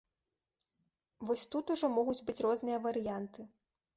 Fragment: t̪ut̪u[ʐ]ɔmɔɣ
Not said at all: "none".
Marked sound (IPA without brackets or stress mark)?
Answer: ʐ